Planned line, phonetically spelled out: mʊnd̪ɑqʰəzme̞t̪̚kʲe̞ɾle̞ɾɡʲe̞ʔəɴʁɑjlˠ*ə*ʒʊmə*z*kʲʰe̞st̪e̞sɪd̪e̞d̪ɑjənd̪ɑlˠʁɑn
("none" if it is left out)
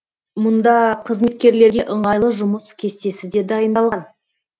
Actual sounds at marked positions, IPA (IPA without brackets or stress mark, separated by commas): ə, s